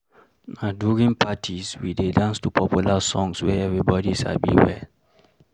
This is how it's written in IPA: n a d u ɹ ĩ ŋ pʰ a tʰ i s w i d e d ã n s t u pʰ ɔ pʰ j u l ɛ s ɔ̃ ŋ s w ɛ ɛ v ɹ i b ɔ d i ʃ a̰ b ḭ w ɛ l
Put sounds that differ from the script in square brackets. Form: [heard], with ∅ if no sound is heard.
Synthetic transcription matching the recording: n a d u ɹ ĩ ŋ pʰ a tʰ i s w i d e d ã n s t u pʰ ɔ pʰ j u l [a] s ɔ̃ ŋ s w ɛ ɛ v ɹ i b ɔ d i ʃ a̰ b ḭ w ɛ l